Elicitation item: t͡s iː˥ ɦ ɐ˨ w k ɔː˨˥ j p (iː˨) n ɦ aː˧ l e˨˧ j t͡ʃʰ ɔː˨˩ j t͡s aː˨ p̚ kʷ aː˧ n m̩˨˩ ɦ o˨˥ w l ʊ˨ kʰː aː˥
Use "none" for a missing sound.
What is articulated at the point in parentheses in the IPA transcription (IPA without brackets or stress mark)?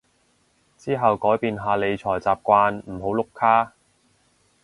iː˨